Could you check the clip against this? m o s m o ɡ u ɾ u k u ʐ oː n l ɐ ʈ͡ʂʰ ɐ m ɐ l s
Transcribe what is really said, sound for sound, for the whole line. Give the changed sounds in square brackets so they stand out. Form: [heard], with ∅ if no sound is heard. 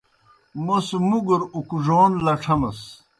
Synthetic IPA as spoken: m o s m [u] ɡ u ɾ u k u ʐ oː n l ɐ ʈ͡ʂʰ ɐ m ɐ [∅] s